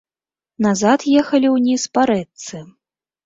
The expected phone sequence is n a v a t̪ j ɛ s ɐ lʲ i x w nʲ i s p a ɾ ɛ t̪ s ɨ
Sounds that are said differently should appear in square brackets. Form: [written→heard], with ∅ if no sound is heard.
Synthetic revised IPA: n a [v→z] a t̪ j ɛ [s→x] ɐ lʲ i [x→∅] w nʲ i s p a ɾ ɛ t̪ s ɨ